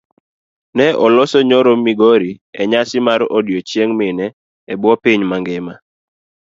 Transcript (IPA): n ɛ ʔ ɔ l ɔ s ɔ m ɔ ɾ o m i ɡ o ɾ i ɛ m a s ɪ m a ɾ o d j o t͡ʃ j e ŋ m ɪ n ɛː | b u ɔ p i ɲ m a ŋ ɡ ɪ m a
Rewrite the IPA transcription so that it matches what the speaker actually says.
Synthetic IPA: n ɛ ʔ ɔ l ɔ s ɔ ɲ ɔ ɾ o m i ɡ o ɾ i ɛ ɲ a s ɪ m a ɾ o d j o t͡ʃ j e ŋ m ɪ n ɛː | b w ɔ p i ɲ m a ŋ ɡ ɪ m a